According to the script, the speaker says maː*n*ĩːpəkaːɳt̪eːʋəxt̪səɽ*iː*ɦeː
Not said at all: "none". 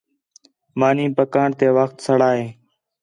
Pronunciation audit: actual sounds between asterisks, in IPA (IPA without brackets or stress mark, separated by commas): n, aː